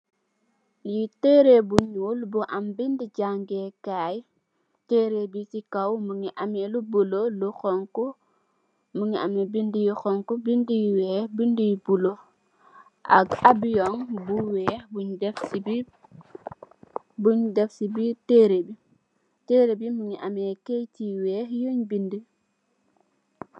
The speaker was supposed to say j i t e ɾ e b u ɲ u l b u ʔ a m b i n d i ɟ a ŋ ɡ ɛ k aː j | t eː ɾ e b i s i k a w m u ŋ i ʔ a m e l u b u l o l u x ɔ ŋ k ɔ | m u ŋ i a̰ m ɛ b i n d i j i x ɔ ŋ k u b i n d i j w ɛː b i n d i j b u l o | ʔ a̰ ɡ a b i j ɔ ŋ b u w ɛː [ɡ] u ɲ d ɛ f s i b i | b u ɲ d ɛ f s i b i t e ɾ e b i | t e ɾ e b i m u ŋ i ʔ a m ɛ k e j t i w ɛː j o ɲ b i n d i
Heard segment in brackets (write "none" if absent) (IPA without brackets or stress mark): b